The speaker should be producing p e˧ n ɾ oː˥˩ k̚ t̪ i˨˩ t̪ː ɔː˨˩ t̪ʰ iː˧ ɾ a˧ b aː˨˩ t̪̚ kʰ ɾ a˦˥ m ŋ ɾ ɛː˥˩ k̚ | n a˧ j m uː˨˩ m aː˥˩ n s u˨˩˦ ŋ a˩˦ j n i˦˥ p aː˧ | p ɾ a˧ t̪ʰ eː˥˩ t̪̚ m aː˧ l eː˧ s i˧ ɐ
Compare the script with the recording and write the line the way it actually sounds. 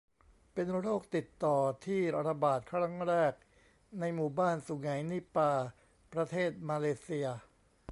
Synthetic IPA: p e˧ n ɾ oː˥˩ k̚ t̪ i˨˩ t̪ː ɔː˨˩ t̪ʰ iː˥˩ ɾ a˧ b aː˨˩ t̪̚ kʰ ɾ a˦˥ ŋ ɾ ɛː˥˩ k̚ | n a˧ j m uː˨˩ b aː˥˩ n s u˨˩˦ ŋ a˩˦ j n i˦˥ p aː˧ | p ɾ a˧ t̪ʰ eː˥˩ t̪̚ m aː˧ l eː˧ s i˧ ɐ